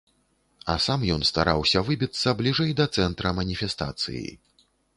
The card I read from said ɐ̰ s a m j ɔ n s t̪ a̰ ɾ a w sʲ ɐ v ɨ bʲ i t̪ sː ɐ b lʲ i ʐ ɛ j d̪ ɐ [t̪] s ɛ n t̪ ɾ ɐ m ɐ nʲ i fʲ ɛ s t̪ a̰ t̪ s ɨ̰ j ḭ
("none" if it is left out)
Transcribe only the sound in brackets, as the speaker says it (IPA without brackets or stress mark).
t̪